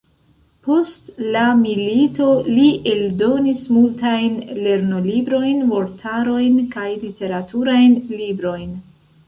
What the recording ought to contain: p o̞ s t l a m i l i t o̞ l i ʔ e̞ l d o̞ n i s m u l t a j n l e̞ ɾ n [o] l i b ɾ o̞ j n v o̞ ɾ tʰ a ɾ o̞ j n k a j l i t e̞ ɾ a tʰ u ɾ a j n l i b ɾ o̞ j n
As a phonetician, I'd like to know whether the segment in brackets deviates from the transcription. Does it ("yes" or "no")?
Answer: no